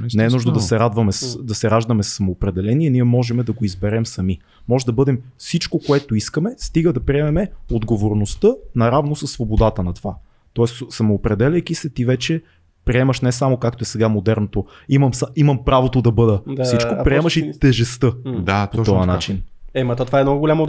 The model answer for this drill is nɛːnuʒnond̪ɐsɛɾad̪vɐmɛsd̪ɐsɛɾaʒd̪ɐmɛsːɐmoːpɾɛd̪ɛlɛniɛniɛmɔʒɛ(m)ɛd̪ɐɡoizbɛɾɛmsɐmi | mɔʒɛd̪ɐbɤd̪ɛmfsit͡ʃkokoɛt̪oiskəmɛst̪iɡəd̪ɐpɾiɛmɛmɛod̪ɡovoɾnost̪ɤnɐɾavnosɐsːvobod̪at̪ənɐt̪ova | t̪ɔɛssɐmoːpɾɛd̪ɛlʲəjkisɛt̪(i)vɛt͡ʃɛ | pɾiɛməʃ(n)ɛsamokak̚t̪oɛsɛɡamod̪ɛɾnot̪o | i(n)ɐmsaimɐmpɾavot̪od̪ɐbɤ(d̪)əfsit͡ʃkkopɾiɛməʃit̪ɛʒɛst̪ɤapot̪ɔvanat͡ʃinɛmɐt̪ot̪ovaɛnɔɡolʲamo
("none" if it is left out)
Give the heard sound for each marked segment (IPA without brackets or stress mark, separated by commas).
m, i, n, m, d̪